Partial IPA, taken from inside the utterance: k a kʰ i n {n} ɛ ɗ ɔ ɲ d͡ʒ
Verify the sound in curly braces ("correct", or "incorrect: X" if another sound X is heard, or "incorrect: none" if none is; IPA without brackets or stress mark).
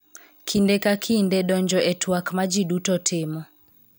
incorrect: d